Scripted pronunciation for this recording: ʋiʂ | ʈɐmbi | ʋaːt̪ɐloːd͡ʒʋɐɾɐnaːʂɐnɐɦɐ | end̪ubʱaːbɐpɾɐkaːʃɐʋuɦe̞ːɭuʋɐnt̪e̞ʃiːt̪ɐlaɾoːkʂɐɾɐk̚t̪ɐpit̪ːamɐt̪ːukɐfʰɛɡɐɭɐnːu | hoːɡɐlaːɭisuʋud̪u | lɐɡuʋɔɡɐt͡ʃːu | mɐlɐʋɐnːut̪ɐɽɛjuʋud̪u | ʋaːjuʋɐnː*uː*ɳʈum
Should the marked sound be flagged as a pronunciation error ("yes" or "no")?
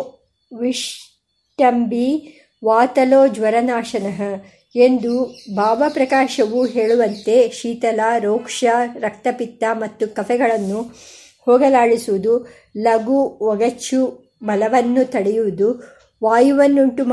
yes